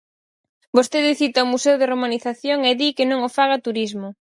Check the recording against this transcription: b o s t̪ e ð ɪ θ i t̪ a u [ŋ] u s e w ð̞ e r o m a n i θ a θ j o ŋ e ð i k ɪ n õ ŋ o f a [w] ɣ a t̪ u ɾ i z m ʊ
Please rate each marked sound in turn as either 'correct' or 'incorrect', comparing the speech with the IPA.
incorrect, incorrect

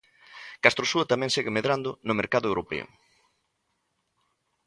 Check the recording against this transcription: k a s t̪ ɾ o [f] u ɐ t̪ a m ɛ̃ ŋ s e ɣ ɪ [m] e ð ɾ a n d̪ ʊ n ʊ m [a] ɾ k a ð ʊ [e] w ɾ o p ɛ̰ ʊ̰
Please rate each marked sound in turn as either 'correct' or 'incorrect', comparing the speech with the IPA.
incorrect, correct, incorrect, correct

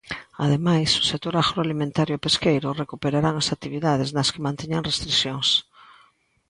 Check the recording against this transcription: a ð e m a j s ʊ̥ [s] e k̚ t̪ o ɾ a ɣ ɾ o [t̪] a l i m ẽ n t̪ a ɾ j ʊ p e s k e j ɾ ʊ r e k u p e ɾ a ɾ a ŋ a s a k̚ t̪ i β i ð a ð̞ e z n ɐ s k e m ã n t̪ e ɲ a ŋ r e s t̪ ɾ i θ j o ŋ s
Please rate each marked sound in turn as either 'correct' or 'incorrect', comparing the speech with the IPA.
correct, incorrect

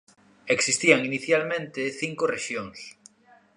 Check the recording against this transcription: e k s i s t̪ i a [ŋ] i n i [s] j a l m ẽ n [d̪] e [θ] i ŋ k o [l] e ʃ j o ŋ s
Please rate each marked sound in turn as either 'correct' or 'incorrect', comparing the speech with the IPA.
correct, incorrect, incorrect, correct, incorrect

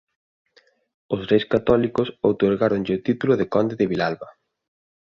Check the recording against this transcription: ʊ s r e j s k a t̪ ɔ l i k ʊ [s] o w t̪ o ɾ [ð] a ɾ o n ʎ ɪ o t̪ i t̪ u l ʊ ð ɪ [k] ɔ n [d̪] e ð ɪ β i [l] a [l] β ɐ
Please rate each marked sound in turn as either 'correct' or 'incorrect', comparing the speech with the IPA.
correct, incorrect, correct, correct, correct, correct

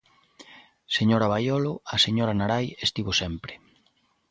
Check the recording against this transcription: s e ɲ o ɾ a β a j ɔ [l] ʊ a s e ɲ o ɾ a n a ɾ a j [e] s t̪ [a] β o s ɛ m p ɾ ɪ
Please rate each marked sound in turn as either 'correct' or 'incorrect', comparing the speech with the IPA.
correct, correct, incorrect

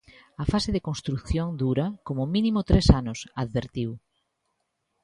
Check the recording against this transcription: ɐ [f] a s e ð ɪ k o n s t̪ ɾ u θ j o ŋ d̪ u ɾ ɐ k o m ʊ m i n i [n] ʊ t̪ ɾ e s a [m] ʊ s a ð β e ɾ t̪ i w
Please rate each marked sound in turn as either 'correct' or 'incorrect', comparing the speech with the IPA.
correct, incorrect, incorrect

